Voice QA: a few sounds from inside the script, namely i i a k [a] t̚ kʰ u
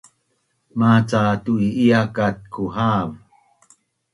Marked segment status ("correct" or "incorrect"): correct